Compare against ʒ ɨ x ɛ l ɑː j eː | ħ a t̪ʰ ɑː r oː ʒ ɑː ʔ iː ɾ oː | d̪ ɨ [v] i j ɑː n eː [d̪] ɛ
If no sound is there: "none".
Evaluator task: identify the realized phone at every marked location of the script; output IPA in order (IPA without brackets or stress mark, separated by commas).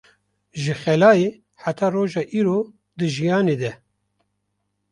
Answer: ʒ, d̪